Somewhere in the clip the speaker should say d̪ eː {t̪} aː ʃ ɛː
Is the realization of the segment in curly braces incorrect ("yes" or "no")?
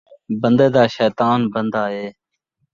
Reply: yes